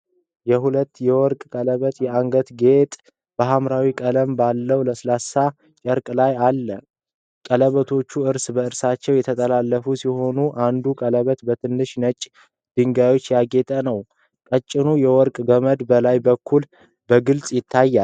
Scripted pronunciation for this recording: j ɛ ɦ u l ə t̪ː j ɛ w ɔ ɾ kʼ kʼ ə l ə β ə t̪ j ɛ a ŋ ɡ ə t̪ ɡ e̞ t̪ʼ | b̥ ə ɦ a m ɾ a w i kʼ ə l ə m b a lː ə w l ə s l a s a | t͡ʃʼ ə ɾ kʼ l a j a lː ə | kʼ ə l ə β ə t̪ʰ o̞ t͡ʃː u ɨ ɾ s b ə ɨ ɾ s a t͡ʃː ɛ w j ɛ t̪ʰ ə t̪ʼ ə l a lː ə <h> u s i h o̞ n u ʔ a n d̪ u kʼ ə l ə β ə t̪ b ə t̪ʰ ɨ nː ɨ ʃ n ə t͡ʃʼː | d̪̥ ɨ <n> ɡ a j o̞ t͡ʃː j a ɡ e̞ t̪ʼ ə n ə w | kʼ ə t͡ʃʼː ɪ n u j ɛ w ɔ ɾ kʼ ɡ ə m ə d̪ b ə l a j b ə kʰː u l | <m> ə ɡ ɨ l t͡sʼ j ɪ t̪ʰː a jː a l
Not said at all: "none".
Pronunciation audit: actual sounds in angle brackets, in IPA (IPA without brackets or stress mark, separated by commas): f, ŋ, b